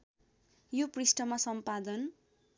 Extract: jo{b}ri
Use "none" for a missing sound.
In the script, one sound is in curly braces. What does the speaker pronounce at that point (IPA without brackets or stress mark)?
p